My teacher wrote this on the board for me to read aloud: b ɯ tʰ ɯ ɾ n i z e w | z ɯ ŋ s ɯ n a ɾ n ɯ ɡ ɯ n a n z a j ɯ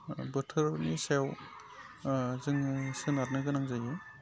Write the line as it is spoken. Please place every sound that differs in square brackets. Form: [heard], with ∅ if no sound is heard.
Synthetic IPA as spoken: b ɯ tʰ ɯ ɾ n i [s] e w | z ɯ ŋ s ɯ n a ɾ n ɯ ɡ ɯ n a [ŋ] z a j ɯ